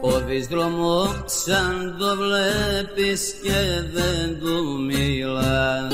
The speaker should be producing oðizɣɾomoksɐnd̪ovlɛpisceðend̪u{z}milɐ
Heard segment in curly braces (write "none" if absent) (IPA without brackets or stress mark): none